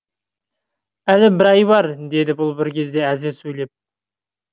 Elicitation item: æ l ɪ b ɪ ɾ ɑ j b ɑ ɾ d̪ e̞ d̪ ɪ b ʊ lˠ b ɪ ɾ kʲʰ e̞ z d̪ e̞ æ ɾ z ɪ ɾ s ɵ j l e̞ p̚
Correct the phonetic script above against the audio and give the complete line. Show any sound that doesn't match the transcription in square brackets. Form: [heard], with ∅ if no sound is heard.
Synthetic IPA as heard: æ l ɪ b ɪ ɾ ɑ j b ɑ ɾ d̪ e̞ d̪ ɪ b ʊ lˠ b ɪ ɾ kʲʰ e̞ z d̪ e̞ æ [∅] z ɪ ɾ s ɵ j l e̞ p̚